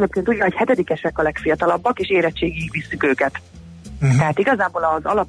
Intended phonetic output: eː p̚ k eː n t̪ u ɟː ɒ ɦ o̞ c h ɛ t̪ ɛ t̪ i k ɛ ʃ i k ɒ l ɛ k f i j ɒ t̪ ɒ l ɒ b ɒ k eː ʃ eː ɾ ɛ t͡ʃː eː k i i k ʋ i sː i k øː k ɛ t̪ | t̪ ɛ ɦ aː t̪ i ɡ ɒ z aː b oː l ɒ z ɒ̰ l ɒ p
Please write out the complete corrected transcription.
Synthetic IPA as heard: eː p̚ k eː n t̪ u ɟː ɒ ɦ o̞ c h ɛ t̪ ɛ d̪ i k ɛ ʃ ɛ k ɒ l ɛ k f i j ɒ t̪ ɒ l ɒ bː ɒ k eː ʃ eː ɾ ɛ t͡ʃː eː ɡ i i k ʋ i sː y k øː k ɛ t̪ | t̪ ɛ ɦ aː t̪ i ɡ ɒ z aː b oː l ɒ z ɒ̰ l ɒ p